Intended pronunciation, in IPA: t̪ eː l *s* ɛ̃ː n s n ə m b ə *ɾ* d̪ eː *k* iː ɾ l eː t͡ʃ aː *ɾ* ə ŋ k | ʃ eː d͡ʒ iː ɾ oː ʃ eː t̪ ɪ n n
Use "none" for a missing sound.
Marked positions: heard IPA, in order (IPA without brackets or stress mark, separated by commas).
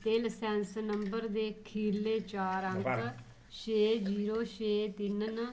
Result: s, ɾ, kʰ, ɾ